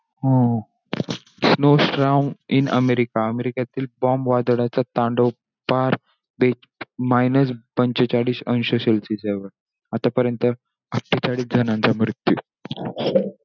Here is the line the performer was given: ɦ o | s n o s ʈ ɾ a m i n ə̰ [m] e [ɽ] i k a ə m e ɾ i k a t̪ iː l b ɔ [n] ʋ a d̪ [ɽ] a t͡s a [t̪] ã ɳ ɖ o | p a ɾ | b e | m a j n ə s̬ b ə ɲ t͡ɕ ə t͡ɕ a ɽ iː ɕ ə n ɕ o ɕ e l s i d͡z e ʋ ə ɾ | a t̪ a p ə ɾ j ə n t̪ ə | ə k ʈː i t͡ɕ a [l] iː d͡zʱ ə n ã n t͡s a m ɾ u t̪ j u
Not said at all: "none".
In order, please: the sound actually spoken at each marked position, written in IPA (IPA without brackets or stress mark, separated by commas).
m, ɾ, m, ɽ, t̪, ɽ